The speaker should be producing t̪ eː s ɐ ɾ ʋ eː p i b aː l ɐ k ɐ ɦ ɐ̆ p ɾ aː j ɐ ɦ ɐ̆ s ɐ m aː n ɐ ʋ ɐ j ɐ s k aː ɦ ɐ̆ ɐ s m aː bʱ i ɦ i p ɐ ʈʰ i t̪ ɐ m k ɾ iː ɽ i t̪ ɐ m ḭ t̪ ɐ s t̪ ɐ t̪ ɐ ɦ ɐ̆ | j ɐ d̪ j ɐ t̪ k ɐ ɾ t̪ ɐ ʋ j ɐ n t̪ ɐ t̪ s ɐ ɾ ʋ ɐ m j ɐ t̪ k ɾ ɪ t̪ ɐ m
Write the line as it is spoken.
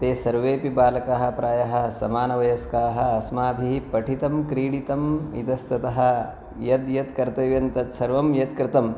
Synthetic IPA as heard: t̪ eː s ɐ ɾ ʋ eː p i b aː l ɐ k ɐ ɦ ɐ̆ p ɾ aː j ɐ ɦ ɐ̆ s ɐ m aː n ɐ ʋ ɐ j ɐ s k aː ɦ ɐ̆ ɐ s m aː bʱ i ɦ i p ɐ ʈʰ i t̪ ɐ m k ɾ iː ɽ i t̪ ɐ m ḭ t̪ ɐ s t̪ ɐ t̪ ɐ ɦ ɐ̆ | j ɐ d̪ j ɐ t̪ k ɐ ɾ t̪ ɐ ʋ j ɐ n t̪ ɐ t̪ s ɐ ɾ ʋ ɐ m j ɐ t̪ k ɾ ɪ t̪ ɐ m